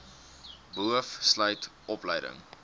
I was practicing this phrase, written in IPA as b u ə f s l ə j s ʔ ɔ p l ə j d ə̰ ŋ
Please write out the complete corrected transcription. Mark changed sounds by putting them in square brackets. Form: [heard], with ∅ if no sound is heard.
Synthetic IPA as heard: b u ə f s l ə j [t] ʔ ɔ p l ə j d ə̰ ŋ